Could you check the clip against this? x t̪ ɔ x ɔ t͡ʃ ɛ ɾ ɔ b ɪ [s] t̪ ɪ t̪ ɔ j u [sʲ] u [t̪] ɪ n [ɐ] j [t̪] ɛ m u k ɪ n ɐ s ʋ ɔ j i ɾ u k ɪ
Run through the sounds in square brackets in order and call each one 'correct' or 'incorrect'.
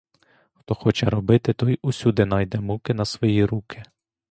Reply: incorrect, correct, incorrect, incorrect, incorrect

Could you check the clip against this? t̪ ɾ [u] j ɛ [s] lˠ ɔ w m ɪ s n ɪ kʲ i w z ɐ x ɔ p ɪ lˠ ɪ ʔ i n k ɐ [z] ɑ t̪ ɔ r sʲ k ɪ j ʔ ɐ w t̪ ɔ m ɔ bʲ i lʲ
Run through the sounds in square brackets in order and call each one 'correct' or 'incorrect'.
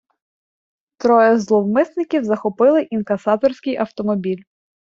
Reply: incorrect, incorrect, incorrect

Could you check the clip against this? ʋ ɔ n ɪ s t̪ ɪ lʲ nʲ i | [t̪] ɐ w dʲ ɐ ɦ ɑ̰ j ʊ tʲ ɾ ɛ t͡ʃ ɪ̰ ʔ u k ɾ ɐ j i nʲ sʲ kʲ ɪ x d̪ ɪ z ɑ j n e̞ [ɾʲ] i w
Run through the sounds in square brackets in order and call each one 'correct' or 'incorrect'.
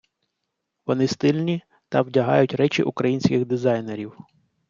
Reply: correct, correct

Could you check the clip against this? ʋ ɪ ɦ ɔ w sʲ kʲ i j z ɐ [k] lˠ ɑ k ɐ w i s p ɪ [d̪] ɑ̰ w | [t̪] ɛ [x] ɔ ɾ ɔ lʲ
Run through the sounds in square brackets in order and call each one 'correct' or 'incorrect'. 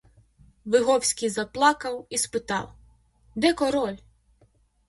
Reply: incorrect, incorrect, incorrect, incorrect

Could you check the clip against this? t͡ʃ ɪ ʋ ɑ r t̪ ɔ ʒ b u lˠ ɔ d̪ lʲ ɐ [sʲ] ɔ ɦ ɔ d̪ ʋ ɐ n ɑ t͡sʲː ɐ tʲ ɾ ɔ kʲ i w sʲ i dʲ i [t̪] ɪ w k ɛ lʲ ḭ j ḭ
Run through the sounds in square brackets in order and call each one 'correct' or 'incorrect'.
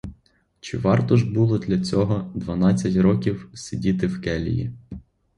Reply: incorrect, correct

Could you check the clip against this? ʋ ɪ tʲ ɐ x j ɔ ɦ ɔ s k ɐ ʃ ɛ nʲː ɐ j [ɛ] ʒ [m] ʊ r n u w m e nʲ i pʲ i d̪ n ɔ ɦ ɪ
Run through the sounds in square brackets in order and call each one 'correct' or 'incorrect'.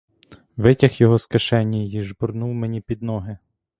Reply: incorrect, incorrect

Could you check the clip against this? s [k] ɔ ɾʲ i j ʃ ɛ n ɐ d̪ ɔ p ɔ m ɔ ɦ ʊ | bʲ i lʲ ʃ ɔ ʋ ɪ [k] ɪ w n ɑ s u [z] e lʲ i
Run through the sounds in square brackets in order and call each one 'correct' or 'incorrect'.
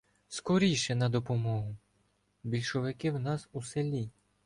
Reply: correct, correct, incorrect

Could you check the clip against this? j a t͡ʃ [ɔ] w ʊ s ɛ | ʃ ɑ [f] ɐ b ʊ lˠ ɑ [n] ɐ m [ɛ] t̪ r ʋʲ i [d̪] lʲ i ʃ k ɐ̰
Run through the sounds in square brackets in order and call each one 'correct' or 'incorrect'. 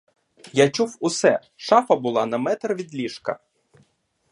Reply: incorrect, correct, correct, correct, correct

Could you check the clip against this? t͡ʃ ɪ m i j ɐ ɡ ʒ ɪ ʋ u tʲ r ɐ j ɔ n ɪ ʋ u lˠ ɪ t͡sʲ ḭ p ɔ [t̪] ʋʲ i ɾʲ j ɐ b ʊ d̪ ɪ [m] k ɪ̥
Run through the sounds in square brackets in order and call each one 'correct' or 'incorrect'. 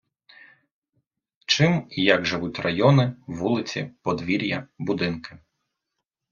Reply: incorrect, incorrect

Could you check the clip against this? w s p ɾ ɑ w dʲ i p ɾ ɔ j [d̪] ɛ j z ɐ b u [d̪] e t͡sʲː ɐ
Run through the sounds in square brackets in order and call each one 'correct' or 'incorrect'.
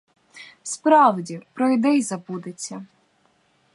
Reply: correct, correct

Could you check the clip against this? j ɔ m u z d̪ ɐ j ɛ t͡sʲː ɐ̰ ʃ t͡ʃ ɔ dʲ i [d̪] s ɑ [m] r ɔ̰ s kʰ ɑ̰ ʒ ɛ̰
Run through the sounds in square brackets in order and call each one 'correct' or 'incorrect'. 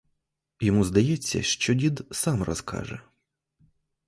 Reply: correct, correct

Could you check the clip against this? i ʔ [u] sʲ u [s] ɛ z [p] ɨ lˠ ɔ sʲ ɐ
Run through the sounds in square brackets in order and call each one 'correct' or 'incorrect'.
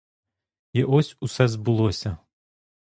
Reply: incorrect, correct, incorrect

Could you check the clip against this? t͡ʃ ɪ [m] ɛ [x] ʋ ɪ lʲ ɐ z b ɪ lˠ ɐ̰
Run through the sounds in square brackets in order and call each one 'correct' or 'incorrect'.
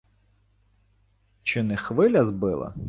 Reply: incorrect, correct

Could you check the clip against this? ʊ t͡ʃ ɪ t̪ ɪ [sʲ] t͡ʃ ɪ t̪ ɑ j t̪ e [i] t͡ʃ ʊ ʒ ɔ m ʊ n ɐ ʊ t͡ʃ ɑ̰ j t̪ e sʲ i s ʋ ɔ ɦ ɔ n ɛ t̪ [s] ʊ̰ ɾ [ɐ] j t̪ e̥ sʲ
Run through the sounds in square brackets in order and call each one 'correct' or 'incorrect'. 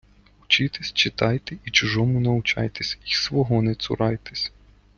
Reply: correct, correct, correct, incorrect

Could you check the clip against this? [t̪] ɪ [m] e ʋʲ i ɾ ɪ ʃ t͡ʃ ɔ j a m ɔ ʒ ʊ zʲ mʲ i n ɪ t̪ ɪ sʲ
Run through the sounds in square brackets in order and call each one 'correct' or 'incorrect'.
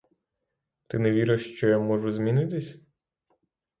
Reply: correct, incorrect

